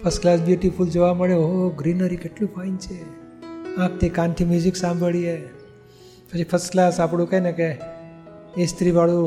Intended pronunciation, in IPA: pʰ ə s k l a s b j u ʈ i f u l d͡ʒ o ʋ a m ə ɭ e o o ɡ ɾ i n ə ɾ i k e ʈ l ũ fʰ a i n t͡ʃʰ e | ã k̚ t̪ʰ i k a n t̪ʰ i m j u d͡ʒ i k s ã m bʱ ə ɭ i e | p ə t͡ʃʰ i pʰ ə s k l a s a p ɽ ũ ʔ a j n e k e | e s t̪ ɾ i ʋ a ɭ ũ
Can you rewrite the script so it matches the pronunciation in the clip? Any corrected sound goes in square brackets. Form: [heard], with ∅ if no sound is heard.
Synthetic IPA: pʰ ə s k l a s b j u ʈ i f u l d͡ʒ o ʋ a m ə ɭ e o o ɡ ɾ i n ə ɾ i k e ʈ l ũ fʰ a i n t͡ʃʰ e | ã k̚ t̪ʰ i k a n t̪ʰ i m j u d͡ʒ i k s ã m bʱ ə ɭ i e | p ə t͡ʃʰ i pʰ ə s k l a s a p ɽ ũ [k] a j n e k e | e s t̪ ɾ i ʋ a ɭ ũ